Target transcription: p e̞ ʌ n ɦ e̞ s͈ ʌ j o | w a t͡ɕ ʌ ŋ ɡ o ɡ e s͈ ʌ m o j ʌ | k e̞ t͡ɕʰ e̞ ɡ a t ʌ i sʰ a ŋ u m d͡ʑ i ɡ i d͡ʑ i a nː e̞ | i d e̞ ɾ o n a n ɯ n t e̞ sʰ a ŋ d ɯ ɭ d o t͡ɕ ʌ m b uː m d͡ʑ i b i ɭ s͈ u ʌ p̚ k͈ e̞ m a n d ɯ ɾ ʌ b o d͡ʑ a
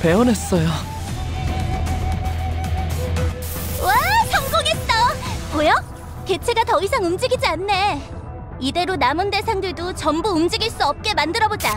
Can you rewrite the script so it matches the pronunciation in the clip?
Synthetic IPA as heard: p e̞ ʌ n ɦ e̞ s͈ ʌ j o | w a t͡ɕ ʌ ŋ ɡ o ɡ e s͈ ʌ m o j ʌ | k e̞ t͡ɕʰ e̞ ɡ a t ʌ i sʰ a ŋ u m d͡ʑ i ɡ i d͡ʑ i a nː e̞ | i d e̞ ɾ o n a m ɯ n d e̞ sʰ a ŋ d ɯ ɭ d o t͡ɕ ʌ m b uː m d͡ʑ i ɡ i ɭ s͈ u ʌ p̚ k͈ e̞ m a n d ɯ ɾ ʌ b o d͡ʑ a